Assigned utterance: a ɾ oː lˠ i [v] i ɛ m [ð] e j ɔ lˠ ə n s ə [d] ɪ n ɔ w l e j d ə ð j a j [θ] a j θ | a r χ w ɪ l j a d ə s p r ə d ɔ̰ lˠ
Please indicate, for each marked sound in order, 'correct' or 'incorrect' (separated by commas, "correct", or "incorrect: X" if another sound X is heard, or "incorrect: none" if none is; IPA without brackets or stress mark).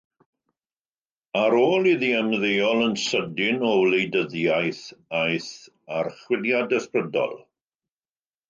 incorrect: ð, correct, correct, correct